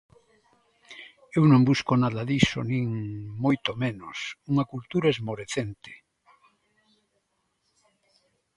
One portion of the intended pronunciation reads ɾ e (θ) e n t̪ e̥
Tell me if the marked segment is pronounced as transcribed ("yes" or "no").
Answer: yes